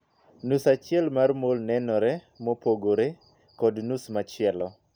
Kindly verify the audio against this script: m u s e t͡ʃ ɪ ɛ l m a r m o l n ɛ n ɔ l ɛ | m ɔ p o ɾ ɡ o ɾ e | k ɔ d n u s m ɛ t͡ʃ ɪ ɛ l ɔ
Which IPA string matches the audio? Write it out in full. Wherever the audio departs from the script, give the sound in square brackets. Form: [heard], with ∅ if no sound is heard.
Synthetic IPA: [n] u s [a] t͡ʃ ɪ ɛ l m a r m o l n ɛ n ɔ [ɾ] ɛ | m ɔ p o [∅] ɡ o ɾ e | k ɔ d n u s m [a] t͡ʃ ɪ ɛ l ɔ